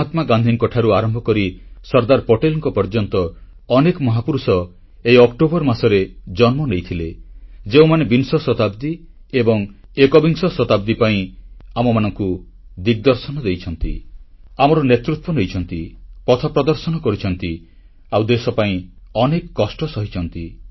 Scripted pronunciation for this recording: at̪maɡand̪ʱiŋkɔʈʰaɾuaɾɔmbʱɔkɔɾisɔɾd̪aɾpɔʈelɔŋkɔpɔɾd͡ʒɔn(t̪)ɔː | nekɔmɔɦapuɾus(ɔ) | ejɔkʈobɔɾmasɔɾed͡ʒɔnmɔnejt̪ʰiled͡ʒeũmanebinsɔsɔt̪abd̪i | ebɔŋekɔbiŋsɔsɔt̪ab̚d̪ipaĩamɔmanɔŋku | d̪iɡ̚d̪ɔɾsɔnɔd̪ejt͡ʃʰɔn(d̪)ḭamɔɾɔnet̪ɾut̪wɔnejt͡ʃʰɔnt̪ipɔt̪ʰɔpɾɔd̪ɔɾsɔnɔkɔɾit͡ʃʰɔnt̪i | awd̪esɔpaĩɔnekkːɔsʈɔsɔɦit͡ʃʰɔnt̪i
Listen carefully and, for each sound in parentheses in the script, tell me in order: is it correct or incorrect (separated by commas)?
correct, correct, incorrect